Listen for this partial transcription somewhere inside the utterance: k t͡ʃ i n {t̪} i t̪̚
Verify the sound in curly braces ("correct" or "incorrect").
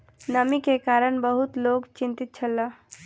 correct